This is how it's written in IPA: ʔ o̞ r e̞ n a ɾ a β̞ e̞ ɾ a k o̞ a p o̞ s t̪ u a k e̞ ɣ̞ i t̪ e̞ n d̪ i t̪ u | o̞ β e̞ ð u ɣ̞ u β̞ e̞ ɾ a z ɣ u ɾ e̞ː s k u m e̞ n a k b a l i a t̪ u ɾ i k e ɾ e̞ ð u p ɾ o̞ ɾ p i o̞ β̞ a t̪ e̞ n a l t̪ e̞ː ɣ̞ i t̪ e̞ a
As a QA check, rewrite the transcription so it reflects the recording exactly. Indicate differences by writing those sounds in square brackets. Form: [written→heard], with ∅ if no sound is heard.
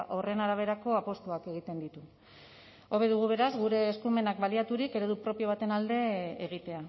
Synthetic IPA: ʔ o̞ r e̞ n a ɾ a β̞ e̞ ɾ a k o̞ a p o̞ s t̪ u a k e̞ ɣ̞ i t̪ e̞ n d̪ i t̪ u | o̞ β e̞ ð u ɣ̞ u β̞ e̞ ɾ a z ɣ u ɾ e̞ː s k u m e̞ n a k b a l i a t̪ u ɾ i k e ɾ e̞ ð u p ɾ o̞ [ɾ→∅] p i o̞ β̞ a t̪ e̞ n a l [t̪→d̪] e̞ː ɣ̞ i t̪ e̞ a